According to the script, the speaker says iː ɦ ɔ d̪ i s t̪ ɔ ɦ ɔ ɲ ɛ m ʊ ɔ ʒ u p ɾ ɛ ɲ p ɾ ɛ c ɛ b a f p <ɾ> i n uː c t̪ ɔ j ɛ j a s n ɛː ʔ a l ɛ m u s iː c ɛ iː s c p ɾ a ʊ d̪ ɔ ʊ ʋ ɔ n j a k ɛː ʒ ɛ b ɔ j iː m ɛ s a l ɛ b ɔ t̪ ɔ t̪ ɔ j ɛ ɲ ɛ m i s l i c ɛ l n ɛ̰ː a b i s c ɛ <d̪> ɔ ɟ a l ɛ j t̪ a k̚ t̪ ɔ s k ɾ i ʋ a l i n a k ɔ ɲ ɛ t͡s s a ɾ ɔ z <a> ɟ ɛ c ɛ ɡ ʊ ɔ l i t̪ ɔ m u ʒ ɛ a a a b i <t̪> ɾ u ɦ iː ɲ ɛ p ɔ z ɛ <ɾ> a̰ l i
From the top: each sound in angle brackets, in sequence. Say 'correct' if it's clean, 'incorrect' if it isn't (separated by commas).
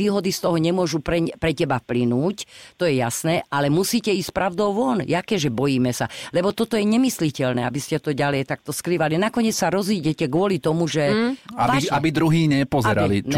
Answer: incorrect, incorrect, incorrect, incorrect, correct